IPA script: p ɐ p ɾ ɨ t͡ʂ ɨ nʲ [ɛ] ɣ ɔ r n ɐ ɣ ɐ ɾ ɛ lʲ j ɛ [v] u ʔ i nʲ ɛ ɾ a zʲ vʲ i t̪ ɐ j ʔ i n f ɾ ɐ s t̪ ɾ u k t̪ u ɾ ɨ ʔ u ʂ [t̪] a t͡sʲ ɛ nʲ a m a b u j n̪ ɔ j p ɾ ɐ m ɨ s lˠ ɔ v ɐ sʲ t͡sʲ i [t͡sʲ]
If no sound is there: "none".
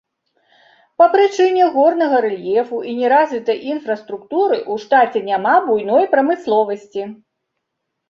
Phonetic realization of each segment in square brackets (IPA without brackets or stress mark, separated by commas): ɛ, f, t̪, none